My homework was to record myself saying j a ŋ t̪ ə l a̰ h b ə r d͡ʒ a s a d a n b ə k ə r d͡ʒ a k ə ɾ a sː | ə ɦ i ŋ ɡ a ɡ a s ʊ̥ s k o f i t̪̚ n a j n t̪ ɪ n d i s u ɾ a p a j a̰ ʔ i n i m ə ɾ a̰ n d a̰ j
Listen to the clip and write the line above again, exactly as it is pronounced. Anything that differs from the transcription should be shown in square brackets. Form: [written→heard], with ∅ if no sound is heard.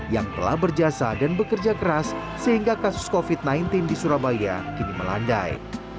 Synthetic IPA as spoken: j a ŋ t̪ ə l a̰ h b ə r d͡ʒ a s a d a n b ə k ə r d͡ʒ a k ə ɾ a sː | ə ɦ i ŋ ɡ a [ɡ→k] a s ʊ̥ s k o f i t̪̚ n a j n t̪ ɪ n d i s u ɾ a [p→b] a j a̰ [ʔ→k] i n i m ə [ɾ→l] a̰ n d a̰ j

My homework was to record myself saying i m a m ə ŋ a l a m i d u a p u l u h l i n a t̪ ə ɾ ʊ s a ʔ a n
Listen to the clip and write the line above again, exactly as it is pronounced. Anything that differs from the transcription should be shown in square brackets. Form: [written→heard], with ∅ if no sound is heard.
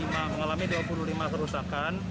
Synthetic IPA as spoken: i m a m ə ŋ a l a m i d u a p u l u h l i [n→m] a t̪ ə ɾ [ʊ→u] s a [ʔ→k] a n

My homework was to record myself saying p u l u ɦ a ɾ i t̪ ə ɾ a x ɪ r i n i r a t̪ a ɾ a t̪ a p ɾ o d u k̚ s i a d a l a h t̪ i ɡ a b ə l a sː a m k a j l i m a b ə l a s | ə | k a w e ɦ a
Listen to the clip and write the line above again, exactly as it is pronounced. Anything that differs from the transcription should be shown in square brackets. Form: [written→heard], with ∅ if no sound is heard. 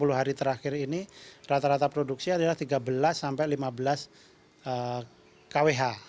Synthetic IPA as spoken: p u l u ɦ a ɾ i t̪ ə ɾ a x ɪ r i n i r a t̪ a ɾ a t̪ a p ɾ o d u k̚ s i a d a l a h t̪ i ɡ a b ə l a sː a m [k→p] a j l i m a b ə l a s | ə | k a w e ɦ a

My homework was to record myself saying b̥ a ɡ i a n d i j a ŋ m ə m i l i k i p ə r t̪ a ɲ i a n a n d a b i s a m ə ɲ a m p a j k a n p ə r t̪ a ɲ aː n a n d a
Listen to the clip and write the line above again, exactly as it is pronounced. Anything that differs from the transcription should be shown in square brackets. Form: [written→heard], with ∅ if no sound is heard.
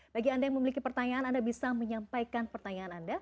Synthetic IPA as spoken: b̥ a ɡ i a n d [i→a] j a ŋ m ə m i l i k i p ə r t̪ a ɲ [i→a] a n a n d a b i s a m ə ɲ a m p a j k a n p ə r t̪ a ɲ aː n a n d a

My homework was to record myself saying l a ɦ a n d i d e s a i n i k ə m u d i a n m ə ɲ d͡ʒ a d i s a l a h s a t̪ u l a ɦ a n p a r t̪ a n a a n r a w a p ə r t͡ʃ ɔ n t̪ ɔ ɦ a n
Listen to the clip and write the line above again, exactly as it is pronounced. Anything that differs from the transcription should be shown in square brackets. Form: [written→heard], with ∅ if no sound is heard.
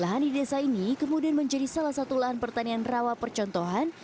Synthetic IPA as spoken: l a ɦ a n d i d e s a i n i k ə m u d i a n m ə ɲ d͡ʒ a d i s a l a h s a t̪ u l a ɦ a n p [a→ə] r t̪ a n [a→i] a n r a w a p ə r t͡ʃ ɔ n t̪ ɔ ɦ a n

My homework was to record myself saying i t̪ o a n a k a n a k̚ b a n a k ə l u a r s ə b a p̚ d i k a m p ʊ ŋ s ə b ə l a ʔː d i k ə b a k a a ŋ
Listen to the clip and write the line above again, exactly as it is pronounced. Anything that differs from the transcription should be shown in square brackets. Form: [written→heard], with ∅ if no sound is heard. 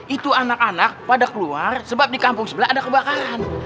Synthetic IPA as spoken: i t̪ [o→u] a n a k a n a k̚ [b→p] a [n→d] a k ə l u a r s ə b a p̚ d i k a m p ʊ ŋ s ə b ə l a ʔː d [i→a] k ə b a k a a [ŋ→n]

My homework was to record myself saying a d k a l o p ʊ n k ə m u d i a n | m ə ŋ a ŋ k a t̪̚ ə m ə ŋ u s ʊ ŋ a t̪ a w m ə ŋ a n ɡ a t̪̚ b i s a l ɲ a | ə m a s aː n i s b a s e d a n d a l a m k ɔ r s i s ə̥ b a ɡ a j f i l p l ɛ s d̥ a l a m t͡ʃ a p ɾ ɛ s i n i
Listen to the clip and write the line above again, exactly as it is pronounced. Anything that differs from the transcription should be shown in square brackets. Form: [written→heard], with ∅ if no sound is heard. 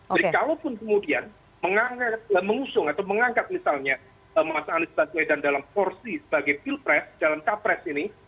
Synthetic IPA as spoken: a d k a l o p ʊ n k ə m u d i a n | m ə ŋ a ŋ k a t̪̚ ə m ə ŋ u s ʊ ŋ a t̪ a w m ə ŋ a [n→ŋ] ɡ a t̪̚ [b→m] i s a l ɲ a | ə m a s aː n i s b a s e d a n d a l a m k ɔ r s i s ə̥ b a ɡ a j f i l p [l→ɾ] ɛ s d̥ a l a m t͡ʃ a p ɾ ɛ s i n i

